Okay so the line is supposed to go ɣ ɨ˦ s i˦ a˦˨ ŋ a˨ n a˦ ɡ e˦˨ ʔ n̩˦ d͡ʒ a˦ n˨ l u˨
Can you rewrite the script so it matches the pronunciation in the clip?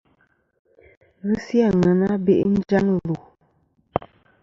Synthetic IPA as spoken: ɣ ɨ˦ s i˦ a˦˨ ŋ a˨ n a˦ b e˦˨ ʔ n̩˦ d͡ʒ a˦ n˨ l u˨